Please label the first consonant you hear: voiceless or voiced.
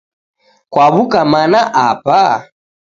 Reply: voiceless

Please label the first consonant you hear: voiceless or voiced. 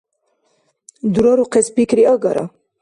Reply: voiced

